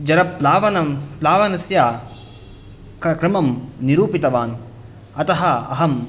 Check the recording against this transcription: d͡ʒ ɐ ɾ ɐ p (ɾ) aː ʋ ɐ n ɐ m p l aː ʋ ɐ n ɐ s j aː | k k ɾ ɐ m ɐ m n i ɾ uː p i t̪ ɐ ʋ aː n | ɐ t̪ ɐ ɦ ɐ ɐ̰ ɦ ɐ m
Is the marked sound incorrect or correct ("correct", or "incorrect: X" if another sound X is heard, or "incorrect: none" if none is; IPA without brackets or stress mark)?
incorrect: l